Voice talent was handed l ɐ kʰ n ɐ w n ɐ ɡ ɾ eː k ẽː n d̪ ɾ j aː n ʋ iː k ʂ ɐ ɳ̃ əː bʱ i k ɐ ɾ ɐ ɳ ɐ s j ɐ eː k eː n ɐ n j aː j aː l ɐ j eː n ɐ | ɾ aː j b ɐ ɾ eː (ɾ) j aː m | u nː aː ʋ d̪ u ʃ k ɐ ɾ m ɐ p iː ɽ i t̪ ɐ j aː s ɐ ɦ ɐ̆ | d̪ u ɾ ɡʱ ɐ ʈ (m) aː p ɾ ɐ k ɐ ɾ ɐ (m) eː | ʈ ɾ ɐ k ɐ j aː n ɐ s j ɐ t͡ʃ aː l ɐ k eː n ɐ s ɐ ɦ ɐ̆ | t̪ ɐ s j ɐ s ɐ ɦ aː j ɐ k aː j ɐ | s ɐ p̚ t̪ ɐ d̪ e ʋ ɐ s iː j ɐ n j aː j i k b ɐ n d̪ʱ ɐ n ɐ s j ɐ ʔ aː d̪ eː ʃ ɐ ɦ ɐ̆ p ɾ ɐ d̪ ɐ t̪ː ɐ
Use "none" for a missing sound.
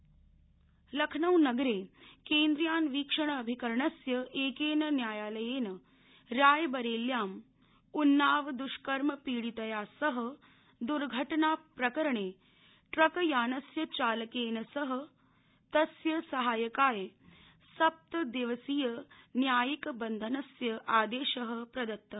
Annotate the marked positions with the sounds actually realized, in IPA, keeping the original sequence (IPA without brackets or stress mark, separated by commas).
l, n, ɳ